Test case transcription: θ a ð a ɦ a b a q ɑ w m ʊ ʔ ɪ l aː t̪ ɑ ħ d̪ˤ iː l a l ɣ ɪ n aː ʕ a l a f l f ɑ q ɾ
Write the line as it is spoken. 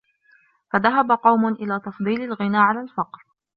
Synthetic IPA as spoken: f a ð a ɦ a b a q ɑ w m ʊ ʔ ɪ l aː t̪ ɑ f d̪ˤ iː l a l ɣ ɪ n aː ʕ a l a l f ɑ q ɾ